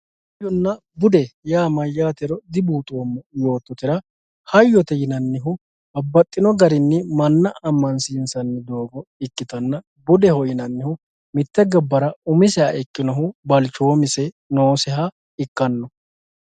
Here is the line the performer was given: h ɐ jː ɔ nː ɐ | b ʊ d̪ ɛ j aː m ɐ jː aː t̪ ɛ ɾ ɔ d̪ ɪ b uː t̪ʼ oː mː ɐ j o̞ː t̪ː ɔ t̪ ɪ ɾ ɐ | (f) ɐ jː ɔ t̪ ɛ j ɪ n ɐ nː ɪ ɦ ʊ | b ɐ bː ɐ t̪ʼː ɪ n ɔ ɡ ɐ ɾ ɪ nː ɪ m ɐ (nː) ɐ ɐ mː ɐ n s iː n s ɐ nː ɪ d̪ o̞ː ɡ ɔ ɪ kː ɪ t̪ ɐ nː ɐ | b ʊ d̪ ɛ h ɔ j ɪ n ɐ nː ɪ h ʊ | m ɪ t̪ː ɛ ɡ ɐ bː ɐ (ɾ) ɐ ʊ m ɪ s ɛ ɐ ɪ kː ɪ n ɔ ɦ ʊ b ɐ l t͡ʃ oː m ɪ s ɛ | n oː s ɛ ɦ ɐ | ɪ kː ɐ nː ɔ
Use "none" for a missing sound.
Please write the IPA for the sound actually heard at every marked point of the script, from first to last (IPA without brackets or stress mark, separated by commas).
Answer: h, nː, ɾ